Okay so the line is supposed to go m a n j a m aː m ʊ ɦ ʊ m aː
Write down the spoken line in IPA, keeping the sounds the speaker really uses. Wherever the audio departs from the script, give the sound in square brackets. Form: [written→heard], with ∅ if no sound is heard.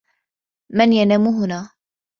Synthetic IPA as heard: m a n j a [m→n] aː m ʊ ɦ ʊ [m→n] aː